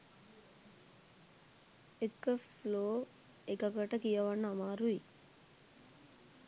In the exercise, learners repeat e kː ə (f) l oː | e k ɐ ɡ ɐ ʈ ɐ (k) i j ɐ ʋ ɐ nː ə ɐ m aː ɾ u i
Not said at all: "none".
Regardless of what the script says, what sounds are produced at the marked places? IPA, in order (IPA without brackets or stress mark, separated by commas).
f, k